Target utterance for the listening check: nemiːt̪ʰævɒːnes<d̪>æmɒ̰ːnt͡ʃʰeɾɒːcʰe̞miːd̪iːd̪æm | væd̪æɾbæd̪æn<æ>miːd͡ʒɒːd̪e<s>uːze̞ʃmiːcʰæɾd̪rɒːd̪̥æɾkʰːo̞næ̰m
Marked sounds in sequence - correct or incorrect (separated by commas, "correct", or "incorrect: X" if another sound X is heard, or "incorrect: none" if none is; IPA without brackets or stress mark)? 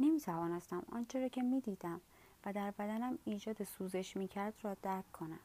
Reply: incorrect: t̪, correct, correct